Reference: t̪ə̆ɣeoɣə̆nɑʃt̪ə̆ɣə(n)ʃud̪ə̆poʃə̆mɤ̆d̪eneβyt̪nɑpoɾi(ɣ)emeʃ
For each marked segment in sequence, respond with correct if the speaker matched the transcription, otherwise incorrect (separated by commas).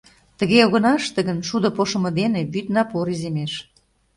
correct, incorrect